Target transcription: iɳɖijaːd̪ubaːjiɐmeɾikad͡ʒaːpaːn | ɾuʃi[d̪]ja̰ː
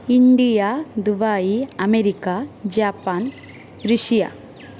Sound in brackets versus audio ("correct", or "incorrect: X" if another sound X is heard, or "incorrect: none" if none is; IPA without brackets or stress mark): incorrect: none